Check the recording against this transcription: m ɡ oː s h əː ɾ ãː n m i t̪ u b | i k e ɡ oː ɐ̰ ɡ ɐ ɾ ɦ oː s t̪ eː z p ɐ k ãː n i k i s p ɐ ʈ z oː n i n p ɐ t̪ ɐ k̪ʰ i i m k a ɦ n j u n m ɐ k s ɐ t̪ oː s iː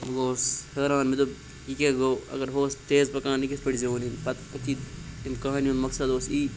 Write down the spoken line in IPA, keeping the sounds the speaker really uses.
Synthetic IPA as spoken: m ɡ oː s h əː ɾ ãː n m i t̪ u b | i k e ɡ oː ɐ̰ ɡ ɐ ɾ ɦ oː s t̪ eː z p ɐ k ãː n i k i s p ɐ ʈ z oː n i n p ɐ t̪ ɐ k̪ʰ i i m k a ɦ n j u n m ɐ k s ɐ d̪ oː s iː